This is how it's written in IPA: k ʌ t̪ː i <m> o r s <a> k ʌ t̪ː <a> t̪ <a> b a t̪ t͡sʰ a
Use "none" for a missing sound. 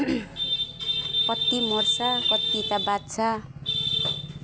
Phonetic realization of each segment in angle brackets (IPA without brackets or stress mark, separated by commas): m, a, i, a